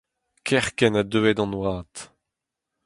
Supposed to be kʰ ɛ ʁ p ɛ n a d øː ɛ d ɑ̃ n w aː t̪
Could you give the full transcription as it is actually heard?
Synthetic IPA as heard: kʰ ɛ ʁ k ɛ n a d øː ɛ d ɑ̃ n w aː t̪